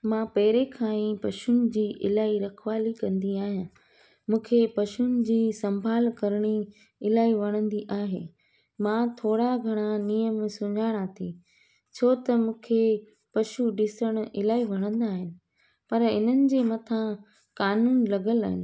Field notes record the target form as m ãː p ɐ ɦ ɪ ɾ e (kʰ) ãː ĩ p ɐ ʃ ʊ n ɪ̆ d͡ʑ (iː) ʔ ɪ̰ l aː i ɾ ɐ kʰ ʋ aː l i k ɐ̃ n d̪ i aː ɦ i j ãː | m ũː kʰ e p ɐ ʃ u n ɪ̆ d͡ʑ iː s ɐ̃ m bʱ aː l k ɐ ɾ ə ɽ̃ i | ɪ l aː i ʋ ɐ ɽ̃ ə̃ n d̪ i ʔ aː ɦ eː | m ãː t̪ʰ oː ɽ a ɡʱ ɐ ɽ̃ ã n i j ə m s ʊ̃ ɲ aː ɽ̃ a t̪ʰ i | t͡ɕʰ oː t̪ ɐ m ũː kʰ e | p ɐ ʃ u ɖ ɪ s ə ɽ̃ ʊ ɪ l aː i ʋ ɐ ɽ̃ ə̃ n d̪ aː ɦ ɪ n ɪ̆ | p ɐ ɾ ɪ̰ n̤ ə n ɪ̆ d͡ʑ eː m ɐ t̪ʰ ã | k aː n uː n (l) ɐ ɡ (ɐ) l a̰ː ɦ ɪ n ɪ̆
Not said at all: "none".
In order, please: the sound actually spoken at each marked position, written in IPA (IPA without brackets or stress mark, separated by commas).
kʰ, iː, l, ə